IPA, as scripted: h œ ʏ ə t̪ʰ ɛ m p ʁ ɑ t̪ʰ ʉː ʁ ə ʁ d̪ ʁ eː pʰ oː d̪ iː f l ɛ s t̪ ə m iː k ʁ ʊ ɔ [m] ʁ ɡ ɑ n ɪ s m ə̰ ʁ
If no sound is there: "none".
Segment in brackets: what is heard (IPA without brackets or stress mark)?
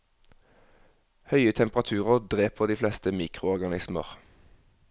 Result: none